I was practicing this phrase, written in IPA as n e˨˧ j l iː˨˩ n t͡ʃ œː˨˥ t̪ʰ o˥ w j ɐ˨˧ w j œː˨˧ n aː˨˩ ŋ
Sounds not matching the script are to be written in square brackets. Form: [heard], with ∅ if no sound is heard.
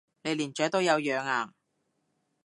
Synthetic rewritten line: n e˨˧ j l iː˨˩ n t͡ʃ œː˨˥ [t̪] o˥ w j ɐ˨˧ w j œː˨˧ [ŋ] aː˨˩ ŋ